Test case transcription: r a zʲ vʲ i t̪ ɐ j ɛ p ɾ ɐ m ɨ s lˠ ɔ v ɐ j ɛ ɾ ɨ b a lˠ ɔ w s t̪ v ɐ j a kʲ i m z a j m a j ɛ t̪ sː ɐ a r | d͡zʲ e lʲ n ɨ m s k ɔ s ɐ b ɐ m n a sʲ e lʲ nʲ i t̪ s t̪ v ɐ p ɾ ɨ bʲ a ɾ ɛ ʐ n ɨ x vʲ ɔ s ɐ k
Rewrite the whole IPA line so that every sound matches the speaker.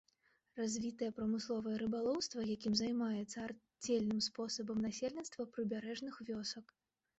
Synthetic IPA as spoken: r a zʲ vʲ i t̪ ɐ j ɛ p ɾ ɐ m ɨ s lˠ ɔ v ɐ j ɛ ɾ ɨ b a lˠ ɔ w s t̪ v ɐ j a kʲ i m z a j m a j ɛ t̪ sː ɐ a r | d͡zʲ e lʲ n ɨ m s p ɔ s ɐ b ɐ m n a sʲ e lʲ nʲ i t̪ s t̪ v ɐ p ɾ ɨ bʲ a ɾ ɛ ʐ n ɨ x vʲ ɔ s ɐ k